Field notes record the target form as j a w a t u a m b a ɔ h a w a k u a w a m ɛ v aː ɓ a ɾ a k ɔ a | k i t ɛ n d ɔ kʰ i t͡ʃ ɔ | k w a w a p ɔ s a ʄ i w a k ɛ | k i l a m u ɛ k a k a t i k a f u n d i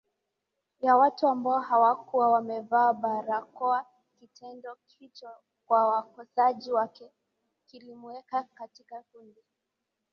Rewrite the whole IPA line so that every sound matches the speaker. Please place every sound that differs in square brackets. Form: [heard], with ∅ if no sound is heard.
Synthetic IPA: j a w a t u a m b a ɔ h a w a k u a w a m ɛ v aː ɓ a ɾ a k ɔ a | k i t ɛ n d ɔ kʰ i t͡ʃ ɔ | k w a w a [k] ɔ s a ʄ i w a k ɛ | k i l [i] m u ɛ k a k a t i k a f u n d i